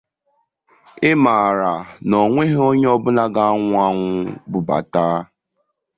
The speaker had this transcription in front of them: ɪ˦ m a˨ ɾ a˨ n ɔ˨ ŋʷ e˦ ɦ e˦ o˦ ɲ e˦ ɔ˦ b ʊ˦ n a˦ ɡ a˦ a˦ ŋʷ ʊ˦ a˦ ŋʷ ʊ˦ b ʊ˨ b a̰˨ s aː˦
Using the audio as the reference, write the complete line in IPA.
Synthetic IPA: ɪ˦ m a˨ ɾ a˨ n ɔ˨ ŋʷ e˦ ɦ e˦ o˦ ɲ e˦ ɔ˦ b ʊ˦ n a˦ ɡ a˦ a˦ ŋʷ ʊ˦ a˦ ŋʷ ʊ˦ b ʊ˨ b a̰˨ t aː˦